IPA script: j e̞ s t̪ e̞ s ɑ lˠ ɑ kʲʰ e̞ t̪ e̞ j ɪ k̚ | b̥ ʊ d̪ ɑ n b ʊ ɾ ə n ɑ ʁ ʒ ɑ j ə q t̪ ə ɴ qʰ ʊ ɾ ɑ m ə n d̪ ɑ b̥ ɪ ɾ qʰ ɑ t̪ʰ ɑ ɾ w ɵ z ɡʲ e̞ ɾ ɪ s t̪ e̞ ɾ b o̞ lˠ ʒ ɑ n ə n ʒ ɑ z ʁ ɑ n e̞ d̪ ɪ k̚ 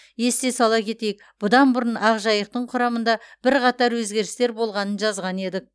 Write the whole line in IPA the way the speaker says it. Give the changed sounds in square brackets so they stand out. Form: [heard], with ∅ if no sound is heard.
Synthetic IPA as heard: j e̞ s t̪ e̞ s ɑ lˠ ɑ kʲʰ e̞ t̪ e̞ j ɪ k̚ | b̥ ʊ d̪ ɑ n b ʊ ɾ ə n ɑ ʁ ʒ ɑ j ə q t̪ ə ɴ qʰ ʊ ɾ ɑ m ə n d̪ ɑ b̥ ɪ ɾ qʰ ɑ [t̪] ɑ ɾ w ɵ z ɡʲ e̞ ɾ ɪ s t̪ e̞ ɾ b o̞ lˠ [ʁ] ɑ n ə n ʒ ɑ z ʁ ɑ n e̞ d̪ ɪ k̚